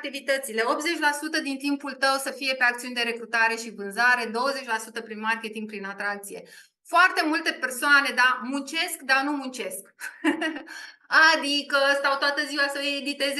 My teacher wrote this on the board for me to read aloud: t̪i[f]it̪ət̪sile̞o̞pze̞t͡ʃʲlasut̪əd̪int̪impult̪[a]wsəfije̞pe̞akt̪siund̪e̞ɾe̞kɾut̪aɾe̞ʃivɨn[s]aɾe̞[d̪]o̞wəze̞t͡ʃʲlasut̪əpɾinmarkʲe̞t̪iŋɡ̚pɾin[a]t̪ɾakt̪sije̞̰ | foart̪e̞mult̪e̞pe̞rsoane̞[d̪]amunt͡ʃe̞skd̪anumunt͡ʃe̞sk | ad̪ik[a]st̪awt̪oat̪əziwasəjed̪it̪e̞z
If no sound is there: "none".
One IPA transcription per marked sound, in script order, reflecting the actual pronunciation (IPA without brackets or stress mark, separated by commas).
v, ə, z, d̪, a, d̪, ə